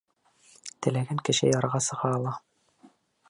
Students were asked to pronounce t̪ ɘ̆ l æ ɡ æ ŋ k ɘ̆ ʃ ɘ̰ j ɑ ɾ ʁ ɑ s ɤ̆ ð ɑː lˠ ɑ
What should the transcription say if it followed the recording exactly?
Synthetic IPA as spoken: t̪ ɘ̆ l æ ɡ æ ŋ k ɘ̆ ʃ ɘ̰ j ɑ ɾ ʁ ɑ s ɤ̆ ʁ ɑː lˠ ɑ